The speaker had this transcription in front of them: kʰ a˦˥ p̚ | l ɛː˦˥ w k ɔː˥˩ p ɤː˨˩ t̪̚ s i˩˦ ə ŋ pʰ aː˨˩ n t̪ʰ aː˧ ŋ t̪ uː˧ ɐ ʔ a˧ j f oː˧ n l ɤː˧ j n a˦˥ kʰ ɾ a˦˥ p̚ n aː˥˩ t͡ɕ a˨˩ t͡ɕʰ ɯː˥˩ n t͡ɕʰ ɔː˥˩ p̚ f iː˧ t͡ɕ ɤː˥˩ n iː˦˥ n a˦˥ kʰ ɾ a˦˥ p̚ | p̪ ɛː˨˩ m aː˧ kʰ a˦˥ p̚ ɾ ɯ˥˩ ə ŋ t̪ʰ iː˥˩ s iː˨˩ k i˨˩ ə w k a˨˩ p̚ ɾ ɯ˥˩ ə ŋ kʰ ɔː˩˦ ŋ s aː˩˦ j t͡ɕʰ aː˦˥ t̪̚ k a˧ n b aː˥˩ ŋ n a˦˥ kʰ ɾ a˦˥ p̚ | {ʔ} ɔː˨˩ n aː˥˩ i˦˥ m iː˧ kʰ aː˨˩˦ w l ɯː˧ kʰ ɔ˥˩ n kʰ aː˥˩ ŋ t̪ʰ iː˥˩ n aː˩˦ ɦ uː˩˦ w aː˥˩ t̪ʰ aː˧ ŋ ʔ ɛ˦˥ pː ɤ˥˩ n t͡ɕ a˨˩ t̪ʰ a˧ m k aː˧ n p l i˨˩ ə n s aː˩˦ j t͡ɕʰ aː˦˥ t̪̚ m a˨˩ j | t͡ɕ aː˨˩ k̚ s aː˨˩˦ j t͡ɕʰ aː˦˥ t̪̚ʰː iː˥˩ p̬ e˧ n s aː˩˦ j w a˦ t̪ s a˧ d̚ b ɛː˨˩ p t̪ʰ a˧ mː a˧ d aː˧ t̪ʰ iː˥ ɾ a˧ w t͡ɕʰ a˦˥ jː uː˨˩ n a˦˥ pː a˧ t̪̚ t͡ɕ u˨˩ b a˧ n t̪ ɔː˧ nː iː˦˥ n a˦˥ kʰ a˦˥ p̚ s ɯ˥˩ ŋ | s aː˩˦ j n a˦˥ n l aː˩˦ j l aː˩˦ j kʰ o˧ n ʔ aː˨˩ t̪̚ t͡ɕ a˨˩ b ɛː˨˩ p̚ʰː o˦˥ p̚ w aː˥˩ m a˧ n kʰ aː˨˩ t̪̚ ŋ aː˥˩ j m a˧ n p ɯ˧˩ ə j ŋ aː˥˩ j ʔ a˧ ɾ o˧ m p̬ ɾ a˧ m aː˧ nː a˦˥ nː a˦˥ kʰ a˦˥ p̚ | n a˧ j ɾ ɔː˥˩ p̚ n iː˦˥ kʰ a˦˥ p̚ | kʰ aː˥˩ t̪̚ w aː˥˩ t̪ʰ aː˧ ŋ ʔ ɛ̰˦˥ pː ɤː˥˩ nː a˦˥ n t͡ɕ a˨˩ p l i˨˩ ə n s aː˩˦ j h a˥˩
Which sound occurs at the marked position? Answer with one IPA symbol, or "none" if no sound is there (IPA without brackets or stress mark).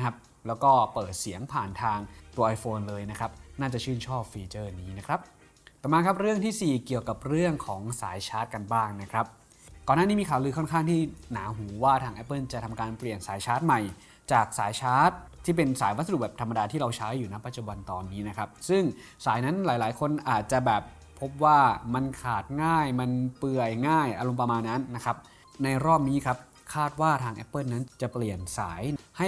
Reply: k